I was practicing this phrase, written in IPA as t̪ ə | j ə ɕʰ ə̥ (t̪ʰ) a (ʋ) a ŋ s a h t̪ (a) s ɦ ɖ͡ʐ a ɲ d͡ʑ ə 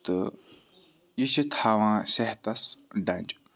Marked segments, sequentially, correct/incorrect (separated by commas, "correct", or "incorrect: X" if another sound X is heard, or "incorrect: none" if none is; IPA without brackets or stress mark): correct, incorrect: w, correct